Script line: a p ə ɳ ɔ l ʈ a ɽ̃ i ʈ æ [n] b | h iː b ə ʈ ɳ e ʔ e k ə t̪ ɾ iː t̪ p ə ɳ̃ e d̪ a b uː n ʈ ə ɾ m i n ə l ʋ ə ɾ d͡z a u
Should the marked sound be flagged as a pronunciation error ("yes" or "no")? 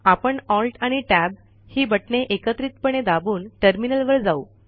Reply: yes